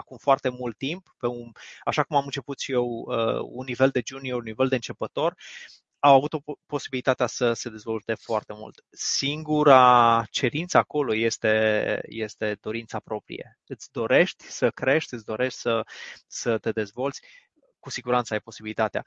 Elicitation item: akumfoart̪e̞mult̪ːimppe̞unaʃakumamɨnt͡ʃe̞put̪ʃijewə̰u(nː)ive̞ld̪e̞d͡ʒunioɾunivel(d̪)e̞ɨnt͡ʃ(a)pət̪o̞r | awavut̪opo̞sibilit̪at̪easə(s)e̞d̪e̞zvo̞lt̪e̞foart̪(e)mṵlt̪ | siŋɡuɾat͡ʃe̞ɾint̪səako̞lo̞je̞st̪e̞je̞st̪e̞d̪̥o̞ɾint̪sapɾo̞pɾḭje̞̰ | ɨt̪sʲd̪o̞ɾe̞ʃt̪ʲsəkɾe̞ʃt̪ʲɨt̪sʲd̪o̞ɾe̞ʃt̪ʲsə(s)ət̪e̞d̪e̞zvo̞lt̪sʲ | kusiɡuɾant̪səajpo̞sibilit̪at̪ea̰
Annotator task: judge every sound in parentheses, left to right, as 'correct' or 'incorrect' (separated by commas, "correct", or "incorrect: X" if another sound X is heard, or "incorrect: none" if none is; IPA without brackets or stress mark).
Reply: correct, correct, incorrect: e, correct, correct, correct